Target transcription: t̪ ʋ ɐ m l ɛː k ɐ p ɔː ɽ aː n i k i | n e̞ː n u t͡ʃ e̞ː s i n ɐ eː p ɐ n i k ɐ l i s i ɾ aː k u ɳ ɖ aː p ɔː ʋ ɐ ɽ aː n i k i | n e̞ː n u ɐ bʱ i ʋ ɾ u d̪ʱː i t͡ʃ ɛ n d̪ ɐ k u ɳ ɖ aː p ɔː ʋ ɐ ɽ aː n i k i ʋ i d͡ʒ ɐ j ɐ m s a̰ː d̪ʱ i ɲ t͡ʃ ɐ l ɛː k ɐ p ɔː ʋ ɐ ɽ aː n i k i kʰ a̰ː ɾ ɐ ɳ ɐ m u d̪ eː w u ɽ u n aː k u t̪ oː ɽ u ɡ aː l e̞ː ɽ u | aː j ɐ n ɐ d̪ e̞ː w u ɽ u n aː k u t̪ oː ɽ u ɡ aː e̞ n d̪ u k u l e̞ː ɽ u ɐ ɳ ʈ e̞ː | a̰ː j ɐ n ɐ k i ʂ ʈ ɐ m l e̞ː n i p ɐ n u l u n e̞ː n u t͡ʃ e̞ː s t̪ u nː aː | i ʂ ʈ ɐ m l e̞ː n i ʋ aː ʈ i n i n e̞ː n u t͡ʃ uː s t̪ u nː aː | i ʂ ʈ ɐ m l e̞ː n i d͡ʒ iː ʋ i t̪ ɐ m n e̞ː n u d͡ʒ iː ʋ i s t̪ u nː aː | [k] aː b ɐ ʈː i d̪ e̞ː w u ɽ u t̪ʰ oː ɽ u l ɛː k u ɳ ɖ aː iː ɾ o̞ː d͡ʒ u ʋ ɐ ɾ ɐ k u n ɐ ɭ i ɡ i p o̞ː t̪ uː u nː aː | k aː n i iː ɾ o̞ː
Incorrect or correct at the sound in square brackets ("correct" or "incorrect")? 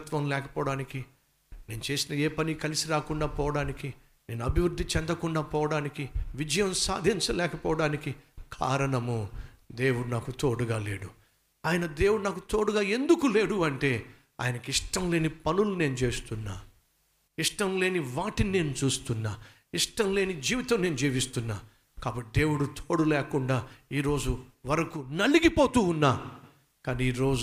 correct